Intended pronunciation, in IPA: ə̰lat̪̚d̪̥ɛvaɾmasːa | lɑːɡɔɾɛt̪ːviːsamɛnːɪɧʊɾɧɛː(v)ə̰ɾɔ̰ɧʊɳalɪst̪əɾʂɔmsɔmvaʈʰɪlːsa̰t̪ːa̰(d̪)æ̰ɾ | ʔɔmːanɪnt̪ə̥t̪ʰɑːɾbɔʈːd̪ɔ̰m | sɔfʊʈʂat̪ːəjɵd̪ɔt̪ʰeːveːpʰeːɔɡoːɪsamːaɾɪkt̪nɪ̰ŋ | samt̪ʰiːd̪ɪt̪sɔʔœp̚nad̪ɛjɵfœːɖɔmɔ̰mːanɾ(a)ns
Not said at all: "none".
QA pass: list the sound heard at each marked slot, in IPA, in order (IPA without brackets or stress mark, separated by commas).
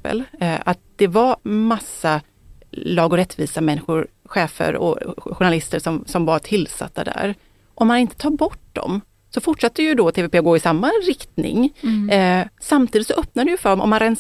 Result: f, d̪, ɛ